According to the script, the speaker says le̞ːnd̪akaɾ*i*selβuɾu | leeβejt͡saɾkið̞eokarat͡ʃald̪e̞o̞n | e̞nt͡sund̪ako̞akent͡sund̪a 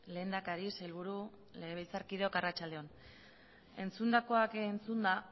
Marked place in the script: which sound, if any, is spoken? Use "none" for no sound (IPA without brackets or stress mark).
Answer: i